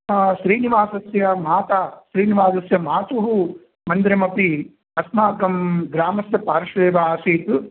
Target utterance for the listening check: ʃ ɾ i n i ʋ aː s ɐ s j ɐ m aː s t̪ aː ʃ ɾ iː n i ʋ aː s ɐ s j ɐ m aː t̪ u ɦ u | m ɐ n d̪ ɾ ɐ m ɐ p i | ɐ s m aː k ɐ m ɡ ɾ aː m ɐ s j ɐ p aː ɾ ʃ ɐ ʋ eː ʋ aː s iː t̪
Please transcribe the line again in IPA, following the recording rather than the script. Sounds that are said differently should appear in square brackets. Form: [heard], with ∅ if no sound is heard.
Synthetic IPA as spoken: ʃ ɾ [iː] n i ʋ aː s ɐ s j ɐ m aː [∅] t̪ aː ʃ ɾ iː n i ʋ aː s ɐ s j ɐ m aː t̪ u ɦ u | m ɐ n d̪ ɾ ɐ m ɐ p i | ɐ s m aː k ɐ m ɡ ɾ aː m ɐ s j ɐ p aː ɾ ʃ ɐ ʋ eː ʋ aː s iː t̪

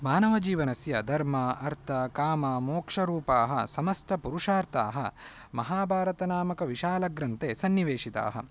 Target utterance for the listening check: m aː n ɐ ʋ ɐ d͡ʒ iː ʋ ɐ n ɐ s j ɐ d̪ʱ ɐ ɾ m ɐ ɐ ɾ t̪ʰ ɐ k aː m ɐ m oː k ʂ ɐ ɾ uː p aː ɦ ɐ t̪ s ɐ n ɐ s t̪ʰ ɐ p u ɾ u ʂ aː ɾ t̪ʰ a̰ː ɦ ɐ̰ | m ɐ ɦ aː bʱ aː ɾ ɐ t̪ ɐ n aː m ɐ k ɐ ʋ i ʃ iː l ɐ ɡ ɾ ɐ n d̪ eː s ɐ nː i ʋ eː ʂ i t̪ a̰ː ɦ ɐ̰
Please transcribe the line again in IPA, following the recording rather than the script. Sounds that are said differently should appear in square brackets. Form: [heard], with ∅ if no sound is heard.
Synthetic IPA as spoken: m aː n ɐ ʋ ɐ d͡ʒ iː ʋ ɐ n ɐ s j ɐ d̪ʱ ɐ ɾ m ɐ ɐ ɾ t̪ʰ ɐ k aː m ɐ m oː k ʂ ɐ ɾ uː p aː ɦ ɐ [∅] s ɐ [m] ɐ s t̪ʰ ɐ p u ɾ u ʂ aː ɾ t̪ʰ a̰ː ɦ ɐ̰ | m ɐ ɦ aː bʱ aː ɾ ɐ t̪ ɐ n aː m ɐ k ɐ ʋ i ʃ [aː] l ɐ ɡ ɾ ɐ n [t̪] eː s ɐ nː i ʋ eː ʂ i t̪ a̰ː ɦ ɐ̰

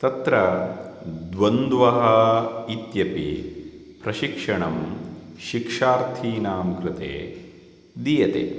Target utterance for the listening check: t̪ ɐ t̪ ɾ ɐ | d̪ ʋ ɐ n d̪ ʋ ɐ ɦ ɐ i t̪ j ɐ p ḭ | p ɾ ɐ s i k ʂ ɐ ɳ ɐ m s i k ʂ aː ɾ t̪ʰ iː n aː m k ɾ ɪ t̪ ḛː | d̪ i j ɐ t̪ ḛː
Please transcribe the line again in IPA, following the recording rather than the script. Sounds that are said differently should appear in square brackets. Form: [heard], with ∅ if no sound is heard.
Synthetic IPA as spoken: t̪ ɐ t̪ ɾ ɐ | d̪ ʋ ɐ n d̪ ʋ ɐ ɦ ɐ i t̪ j ɐ p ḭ | p ɾ ɐ [ʃ] i k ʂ ɐ ɳ ɐ m [ʃ] i k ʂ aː ɾ t̪ʰ iː n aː m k ɾ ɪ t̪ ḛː | d̪ i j ɐ t̪ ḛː

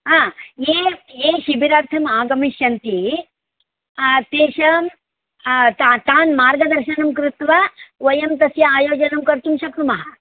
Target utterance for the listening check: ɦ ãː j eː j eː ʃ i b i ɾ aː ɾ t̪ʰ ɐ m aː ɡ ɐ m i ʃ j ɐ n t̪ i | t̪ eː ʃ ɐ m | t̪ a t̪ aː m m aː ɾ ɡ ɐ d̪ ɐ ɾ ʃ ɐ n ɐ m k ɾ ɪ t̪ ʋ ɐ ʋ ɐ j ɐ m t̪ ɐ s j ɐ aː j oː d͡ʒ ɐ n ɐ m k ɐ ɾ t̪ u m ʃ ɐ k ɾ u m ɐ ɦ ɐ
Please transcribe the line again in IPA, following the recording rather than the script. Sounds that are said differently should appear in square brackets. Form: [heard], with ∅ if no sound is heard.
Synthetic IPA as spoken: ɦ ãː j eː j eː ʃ i b i ɾ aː ɾ t̪ʰ ɐ m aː ɡ ɐ m i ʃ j ɐ n t̪ i | t̪ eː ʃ ɐ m | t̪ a t̪ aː [n] m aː ɾ ɡ ɐ d̪ ɐ ɾ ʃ ɐ n ɐ m k ɾ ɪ t̪ ʋ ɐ ʋ ɐ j ɐ m t̪ ɐ s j ɐ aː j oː d͡ʒ ɐ n ɐ m k ɐ ɾ t̪ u m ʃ ɐ k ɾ u m ɐ ɦ ɐ

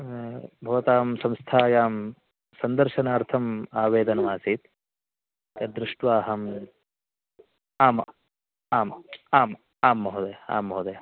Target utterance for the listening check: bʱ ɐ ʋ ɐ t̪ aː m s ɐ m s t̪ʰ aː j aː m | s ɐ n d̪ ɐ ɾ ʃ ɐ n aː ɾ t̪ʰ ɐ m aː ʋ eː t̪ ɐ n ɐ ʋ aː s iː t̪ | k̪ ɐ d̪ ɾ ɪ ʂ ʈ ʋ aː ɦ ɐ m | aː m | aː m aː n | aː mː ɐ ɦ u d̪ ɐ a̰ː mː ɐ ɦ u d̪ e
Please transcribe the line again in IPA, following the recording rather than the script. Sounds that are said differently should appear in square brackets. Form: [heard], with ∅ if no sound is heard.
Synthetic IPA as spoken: bʱ ɐ ʋ ɐ t̪ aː m s ɐ m s t̪ʰ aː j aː m | s ɐ n d̪ ɐ ɾ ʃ ɐ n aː ɾ t̪ʰ ɐ m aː ʋ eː [d̪] ɐ n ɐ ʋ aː s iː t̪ | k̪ ɐ d̪ ɾ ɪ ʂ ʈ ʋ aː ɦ ɐ m | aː m | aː m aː [m] | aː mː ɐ ɦ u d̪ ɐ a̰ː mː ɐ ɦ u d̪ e

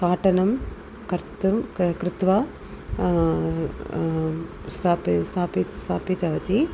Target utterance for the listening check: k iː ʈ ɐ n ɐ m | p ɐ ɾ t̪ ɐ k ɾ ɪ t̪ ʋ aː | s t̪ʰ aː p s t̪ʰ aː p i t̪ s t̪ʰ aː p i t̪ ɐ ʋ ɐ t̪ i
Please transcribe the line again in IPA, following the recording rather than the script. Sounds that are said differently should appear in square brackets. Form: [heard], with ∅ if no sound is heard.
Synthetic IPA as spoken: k [aː] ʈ ɐ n ɐ m | [k] ɐ ɾ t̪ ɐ k ɾ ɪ t̪ ʋ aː | s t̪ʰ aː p s t̪ʰ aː p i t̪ s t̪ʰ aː p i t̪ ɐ ʋ ɐ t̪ i

